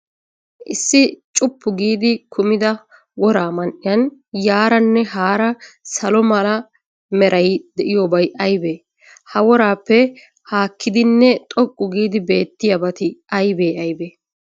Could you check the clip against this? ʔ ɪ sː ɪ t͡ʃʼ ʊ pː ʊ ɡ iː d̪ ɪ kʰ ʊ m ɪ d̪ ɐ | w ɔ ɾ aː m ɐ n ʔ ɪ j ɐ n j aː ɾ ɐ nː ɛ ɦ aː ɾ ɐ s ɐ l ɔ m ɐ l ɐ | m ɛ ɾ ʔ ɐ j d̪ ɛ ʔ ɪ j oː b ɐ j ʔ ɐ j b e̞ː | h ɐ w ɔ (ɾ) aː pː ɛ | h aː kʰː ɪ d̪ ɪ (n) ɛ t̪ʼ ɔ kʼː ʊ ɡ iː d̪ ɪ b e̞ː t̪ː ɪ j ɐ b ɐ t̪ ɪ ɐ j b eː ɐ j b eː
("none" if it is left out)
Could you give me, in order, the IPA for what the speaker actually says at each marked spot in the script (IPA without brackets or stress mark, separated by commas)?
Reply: ɾ, nː